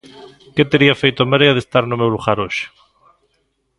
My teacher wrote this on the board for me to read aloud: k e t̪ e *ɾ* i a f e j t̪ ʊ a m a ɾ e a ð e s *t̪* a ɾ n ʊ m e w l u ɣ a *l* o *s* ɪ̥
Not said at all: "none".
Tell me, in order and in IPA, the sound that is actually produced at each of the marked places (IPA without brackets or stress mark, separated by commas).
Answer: ɾ, t̪, ɾ, ʃ